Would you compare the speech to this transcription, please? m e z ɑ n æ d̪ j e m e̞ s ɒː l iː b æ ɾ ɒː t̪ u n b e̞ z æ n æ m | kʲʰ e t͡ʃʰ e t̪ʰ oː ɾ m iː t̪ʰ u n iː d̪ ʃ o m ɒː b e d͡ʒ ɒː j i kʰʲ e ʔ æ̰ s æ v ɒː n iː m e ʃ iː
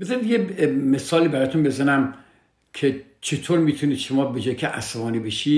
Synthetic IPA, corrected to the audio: b e z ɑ n i d̪ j e m e̞ s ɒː l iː b æ ɾ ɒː t̪ u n b e̞ z æ n æ m | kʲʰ e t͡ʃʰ e t̪ʰ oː ɾ m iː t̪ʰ u n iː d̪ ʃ o m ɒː b e d͡ʒ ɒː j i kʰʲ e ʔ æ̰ s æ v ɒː n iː b e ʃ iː